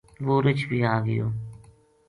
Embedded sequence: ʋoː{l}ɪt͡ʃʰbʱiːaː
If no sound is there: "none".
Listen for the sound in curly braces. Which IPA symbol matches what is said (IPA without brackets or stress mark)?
ɾ